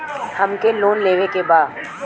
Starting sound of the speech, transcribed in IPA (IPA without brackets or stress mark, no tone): h